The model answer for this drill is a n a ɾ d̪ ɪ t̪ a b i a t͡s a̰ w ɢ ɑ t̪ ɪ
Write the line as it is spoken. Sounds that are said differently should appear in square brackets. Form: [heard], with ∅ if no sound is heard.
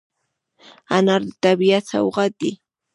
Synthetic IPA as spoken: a n a ɾ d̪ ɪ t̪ a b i a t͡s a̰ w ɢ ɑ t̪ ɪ